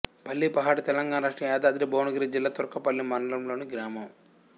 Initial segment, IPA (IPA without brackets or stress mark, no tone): p